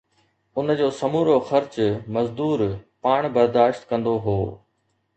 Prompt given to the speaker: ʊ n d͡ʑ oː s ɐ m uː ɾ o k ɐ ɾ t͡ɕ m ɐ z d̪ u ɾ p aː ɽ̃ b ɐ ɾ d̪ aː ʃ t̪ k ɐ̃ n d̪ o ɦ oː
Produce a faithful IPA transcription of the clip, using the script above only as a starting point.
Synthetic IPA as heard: ʊ n d͡ʑ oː s ɐ m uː ɾ o x ɐ ɾ t͡ɕ m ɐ z d̪ uː ɾ p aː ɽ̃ b ɐ ɾ d̪ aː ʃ t̪ k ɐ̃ n d̪ o ɦ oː